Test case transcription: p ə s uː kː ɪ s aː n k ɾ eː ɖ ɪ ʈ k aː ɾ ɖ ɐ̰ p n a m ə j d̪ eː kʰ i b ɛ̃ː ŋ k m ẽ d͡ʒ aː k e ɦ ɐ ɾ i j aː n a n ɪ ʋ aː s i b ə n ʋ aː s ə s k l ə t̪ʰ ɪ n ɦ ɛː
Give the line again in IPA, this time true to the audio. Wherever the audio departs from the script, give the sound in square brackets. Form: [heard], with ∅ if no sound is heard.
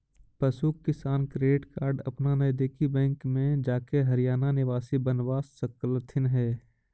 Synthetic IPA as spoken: p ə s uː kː ɪ s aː n k ɾ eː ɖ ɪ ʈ k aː ɾ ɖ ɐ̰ p n a [n] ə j d̪ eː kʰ i b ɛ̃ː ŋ k m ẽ d͡ʒ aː k e ɦ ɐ ɾ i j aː n a n ɪ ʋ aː s i b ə n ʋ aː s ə [∅] k l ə t̪ʰ ɪ n ɦ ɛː